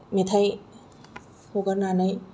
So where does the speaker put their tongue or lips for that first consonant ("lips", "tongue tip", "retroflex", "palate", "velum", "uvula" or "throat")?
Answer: lips